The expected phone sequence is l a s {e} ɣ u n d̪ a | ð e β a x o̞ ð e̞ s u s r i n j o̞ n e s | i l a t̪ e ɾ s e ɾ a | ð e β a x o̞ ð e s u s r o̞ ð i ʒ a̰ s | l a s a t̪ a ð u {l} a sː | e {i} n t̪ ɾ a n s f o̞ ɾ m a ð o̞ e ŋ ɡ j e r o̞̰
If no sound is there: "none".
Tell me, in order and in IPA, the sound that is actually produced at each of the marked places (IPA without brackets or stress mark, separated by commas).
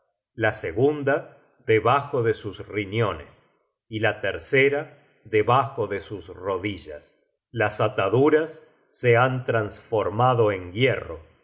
e, ɾ, a